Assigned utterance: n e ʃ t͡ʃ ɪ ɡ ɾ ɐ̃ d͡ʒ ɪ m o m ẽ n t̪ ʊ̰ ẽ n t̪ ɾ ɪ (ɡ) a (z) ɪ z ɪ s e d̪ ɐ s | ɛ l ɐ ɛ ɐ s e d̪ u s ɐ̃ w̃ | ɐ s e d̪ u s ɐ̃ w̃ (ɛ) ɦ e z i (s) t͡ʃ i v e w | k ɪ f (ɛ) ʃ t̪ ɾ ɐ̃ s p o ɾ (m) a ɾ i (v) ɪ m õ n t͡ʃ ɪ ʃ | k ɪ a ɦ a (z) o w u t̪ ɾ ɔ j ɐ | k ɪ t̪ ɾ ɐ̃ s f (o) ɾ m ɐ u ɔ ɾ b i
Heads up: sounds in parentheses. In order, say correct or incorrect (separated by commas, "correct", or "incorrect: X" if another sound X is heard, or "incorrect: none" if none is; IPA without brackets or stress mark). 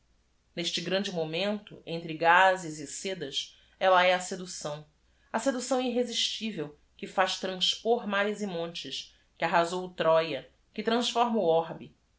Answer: correct, correct, incorrect: i, incorrect: ʃ, incorrect: a, correct, incorrect: z, correct, incorrect: ɔ